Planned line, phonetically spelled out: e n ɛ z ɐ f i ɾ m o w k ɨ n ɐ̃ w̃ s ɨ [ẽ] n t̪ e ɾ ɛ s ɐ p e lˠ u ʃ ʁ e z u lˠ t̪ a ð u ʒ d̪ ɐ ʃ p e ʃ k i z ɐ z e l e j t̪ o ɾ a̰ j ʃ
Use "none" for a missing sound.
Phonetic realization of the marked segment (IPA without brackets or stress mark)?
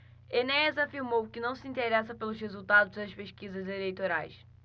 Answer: ĩ